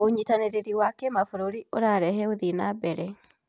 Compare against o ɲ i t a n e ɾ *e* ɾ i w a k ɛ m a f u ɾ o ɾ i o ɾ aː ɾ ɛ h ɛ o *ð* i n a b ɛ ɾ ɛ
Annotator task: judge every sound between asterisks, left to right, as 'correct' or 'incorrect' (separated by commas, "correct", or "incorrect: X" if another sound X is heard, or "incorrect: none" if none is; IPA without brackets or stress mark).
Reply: correct, correct